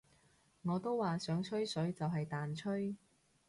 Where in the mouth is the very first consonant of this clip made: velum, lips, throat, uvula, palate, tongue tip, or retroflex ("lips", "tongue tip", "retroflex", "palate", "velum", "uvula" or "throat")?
velum